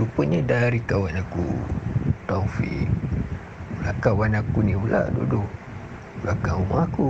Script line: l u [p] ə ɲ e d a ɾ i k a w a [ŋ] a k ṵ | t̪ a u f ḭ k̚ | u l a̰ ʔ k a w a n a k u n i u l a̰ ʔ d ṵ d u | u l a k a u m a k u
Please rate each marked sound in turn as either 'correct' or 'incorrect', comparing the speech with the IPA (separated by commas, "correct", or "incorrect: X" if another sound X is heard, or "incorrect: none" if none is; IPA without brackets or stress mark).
correct, incorrect: n